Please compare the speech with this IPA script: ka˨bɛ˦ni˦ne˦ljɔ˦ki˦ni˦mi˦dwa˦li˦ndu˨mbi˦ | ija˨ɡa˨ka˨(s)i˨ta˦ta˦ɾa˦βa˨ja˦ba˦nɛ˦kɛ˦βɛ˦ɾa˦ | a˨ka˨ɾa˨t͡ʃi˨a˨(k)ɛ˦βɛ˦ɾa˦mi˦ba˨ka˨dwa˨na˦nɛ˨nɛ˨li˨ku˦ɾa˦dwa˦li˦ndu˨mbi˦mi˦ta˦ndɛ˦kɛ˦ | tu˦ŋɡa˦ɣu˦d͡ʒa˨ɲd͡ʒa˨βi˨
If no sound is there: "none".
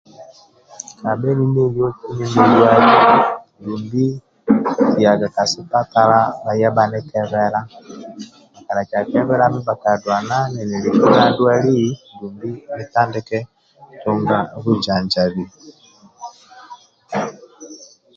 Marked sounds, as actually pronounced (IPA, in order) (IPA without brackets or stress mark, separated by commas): s, k